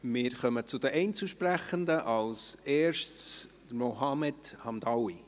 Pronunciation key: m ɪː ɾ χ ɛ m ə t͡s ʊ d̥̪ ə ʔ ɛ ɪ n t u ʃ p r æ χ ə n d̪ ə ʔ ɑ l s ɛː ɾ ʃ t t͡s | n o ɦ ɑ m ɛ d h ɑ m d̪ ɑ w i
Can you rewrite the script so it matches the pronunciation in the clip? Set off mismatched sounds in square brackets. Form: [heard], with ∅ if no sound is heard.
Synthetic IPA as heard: m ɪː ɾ χ [œ] m ə t͡s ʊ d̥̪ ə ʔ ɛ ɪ n [t͡s] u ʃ p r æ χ ə n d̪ ə ʔ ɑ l s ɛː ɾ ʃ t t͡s | [m] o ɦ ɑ m ɛ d h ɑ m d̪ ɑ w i